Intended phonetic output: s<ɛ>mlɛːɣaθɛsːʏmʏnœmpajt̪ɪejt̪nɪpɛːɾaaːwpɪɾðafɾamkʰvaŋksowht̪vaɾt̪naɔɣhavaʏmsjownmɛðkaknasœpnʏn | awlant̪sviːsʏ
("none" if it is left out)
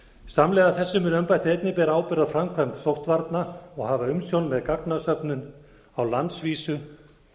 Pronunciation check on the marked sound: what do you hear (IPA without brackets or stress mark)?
a